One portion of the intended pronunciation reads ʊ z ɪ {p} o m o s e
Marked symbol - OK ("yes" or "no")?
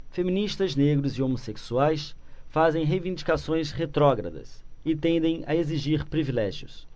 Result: no